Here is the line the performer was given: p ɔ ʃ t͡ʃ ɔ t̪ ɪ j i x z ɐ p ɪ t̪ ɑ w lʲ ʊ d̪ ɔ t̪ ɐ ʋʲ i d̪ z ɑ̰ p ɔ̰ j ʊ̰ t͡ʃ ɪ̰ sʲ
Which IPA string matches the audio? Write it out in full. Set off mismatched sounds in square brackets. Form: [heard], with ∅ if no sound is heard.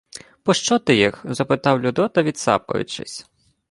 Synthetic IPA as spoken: p ɔ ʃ t͡ʃ ɔ t̪ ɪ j i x z ɐ p ɪ t̪ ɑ w lʲ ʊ d̪ ɔ t̪ ɐ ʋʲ i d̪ [s] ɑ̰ p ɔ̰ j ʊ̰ t͡ʃ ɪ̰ sʲ